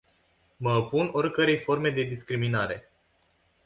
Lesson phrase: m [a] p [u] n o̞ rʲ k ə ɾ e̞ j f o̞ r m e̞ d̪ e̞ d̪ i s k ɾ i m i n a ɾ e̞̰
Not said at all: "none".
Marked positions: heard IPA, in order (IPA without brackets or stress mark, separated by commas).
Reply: ə, u